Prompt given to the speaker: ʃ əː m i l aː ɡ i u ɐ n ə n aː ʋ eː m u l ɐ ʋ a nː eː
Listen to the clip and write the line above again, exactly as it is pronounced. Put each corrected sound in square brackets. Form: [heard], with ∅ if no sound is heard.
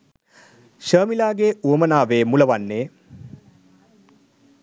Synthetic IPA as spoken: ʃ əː m i l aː ɡ [e] u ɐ [m] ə n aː ʋ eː m u l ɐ ʋ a nː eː